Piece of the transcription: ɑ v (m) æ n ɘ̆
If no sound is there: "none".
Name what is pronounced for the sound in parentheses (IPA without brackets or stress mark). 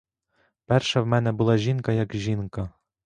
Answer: m